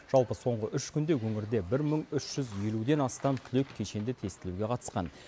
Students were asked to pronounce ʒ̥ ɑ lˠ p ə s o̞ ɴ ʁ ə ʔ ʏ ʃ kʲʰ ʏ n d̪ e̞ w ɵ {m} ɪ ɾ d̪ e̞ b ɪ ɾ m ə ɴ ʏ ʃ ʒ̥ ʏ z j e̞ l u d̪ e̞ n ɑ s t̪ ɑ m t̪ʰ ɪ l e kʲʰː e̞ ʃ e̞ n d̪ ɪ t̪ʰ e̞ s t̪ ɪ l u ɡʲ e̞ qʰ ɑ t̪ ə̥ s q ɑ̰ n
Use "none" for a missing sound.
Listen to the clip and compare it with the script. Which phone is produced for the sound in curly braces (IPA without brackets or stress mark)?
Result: ŋ